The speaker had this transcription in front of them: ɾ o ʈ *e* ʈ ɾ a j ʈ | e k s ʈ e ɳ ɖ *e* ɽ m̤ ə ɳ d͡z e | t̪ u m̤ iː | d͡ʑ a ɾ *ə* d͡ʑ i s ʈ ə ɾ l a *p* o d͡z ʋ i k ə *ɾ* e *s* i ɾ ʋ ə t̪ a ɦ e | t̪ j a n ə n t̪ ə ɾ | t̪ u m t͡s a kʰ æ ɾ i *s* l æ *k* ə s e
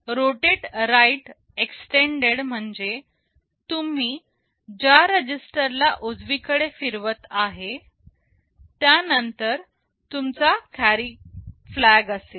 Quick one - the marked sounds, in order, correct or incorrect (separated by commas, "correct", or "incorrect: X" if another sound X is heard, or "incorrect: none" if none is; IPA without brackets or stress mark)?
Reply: correct, correct, correct, incorrect: ʔ, incorrect: ɽ, incorrect: f, incorrect: f, incorrect: ɡ